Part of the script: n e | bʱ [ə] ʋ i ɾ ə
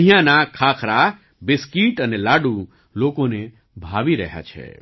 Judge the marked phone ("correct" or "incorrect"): incorrect